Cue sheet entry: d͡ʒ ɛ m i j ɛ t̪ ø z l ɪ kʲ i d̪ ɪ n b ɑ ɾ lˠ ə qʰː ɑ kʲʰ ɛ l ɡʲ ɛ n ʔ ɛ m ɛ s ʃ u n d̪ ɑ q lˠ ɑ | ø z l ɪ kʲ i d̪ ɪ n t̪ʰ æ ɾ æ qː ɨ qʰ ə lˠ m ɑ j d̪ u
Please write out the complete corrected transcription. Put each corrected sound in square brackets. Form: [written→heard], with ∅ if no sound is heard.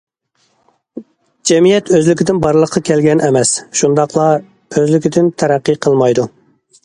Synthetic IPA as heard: d͡ʒ ɛ m i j ɛ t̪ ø z l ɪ kʲ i d̪ ɪ n b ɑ ɾ lˠ ə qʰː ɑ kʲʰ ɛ l ɡʲ ɛ n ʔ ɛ m ɛ s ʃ u n d̪ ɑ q lˠ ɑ | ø z l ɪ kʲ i d̪ ɪ n t̪ʰ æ ɾ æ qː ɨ qʰ ə lˠ m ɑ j d̪ u